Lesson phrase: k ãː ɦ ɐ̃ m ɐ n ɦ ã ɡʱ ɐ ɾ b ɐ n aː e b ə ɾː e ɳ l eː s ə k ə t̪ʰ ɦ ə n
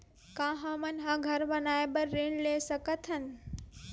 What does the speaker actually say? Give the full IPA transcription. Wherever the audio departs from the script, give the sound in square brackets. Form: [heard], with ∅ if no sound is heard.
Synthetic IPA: k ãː ɦ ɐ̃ m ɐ n ɦ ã ɡʱ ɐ ɾ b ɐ n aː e b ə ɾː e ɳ l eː s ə k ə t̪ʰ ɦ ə n